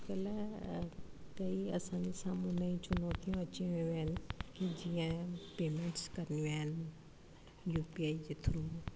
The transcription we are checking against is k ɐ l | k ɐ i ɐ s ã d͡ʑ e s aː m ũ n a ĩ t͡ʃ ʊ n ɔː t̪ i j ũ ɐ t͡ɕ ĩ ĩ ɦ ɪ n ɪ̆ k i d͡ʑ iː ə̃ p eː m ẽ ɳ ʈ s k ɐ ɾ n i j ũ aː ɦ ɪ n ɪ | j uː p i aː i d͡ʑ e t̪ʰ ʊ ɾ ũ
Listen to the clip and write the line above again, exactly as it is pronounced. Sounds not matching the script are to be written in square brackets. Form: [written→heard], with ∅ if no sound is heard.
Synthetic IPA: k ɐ l | k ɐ i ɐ s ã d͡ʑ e s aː m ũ n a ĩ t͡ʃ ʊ n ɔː t̪ i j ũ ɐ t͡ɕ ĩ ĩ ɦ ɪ n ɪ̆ k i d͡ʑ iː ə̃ p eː m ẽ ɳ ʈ s k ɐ ɾ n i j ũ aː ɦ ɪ n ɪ | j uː p i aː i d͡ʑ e t̪ʰ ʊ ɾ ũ